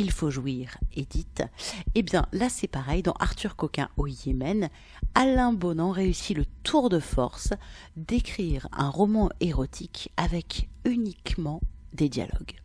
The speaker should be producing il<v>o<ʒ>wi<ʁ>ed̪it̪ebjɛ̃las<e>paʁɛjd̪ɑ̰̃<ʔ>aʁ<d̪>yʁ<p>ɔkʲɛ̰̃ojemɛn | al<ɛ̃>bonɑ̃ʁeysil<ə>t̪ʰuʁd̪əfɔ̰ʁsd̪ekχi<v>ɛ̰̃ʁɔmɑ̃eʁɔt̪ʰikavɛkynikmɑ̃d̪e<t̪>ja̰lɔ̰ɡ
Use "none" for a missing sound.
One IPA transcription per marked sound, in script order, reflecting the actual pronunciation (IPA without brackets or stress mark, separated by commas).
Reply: f, ʒ, ʁ, ɛ, ʔ, t̪, k, ɛ̃, ə, ʁ, d̪